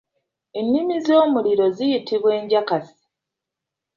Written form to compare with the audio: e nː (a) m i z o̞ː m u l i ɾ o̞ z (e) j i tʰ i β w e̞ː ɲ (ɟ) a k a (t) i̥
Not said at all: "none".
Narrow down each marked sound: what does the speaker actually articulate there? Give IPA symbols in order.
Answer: i, i, ɟ, s

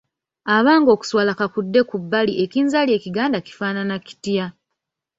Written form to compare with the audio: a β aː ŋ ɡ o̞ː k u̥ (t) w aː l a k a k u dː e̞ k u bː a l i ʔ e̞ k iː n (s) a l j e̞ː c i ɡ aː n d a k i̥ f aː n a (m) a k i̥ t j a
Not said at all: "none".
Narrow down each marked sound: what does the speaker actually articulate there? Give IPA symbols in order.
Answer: s, z, n

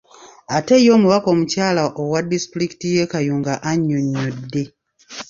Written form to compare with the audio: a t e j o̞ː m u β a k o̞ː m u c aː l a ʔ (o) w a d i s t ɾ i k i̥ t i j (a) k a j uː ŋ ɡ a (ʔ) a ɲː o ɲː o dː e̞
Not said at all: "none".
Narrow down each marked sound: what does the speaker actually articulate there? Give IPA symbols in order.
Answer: o, e, ʔ

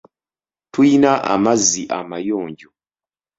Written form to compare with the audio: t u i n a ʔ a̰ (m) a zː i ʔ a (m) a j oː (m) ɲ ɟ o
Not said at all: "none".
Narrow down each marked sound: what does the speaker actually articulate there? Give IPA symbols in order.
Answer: m, m, none

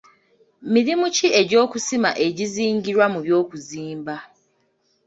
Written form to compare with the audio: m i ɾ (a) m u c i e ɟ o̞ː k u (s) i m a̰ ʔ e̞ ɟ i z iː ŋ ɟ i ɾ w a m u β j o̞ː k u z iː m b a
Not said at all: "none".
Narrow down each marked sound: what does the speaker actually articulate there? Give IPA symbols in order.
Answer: i, s

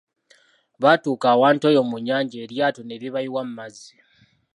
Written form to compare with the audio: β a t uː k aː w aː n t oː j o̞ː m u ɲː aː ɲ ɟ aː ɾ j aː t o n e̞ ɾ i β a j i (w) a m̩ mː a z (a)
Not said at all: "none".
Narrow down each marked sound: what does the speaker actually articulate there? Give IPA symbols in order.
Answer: w, i

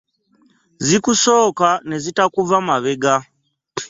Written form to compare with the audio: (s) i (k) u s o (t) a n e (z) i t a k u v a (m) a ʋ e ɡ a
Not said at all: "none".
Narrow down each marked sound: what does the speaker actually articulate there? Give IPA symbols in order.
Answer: z, k, k, z, m

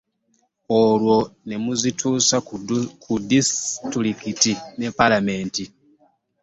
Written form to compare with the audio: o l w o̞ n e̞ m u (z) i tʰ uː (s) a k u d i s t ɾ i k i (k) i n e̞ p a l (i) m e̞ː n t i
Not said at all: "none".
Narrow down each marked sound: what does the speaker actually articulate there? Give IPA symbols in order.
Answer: z, s, t, a

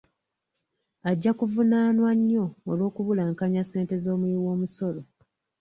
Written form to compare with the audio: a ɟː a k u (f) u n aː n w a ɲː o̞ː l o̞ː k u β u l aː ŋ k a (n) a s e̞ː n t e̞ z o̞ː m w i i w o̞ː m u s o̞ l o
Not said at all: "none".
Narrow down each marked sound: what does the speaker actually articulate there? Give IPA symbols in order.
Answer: v, ɲ

